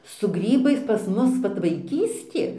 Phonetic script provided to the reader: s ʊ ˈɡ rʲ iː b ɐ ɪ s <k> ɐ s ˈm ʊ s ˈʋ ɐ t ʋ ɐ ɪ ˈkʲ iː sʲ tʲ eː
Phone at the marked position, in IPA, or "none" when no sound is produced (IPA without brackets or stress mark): p